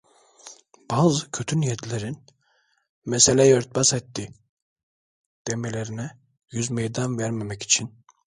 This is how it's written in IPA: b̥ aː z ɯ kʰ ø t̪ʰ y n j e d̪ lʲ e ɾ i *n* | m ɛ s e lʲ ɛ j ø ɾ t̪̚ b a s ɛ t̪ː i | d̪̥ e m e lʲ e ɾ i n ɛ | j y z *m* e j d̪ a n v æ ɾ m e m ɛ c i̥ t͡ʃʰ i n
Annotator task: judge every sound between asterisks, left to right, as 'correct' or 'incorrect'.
correct, correct

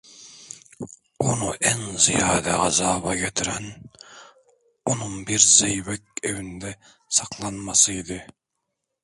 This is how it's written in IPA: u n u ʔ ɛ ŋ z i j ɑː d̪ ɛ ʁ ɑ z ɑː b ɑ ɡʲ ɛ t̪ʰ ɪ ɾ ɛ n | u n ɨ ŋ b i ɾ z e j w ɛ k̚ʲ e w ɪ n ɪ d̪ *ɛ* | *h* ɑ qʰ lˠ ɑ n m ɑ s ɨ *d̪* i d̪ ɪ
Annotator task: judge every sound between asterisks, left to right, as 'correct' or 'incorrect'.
correct, incorrect, incorrect

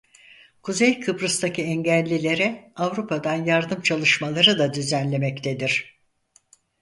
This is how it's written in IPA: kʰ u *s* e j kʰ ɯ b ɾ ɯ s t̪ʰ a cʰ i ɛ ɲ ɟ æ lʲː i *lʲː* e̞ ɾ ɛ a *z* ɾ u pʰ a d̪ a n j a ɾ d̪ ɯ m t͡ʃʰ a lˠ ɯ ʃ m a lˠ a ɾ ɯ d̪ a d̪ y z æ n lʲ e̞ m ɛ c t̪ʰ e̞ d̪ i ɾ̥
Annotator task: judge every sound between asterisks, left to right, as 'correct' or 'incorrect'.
incorrect, incorrect, incorrect

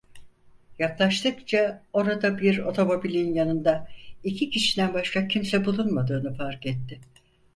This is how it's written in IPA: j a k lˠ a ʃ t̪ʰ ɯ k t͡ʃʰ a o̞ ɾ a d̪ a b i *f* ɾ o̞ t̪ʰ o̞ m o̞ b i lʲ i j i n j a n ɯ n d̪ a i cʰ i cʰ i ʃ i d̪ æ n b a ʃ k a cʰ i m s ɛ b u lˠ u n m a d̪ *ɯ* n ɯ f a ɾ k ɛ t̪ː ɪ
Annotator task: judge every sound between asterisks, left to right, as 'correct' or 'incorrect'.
incorrect, incorrect

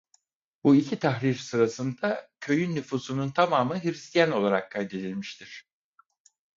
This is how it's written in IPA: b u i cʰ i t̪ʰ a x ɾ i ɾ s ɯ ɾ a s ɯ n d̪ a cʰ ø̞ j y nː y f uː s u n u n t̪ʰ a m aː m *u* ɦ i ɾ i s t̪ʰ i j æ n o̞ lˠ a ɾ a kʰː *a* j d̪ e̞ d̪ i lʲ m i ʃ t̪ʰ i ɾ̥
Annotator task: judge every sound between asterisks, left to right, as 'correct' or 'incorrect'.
incorrect, correct

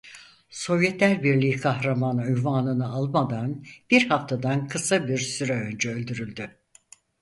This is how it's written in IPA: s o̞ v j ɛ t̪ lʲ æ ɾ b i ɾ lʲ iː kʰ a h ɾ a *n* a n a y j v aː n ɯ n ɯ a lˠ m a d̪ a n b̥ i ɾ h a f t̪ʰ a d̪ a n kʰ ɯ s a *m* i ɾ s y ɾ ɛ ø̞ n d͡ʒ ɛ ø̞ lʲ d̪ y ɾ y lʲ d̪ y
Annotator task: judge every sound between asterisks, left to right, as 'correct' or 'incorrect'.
incorrect, incorrect

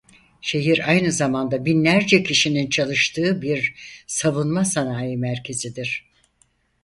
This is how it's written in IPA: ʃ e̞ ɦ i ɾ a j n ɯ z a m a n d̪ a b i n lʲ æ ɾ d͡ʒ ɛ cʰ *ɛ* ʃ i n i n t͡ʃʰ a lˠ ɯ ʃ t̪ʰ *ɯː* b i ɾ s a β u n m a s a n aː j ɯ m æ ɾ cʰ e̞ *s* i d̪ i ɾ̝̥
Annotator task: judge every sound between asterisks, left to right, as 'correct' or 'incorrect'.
incorrect, correct, incorrect

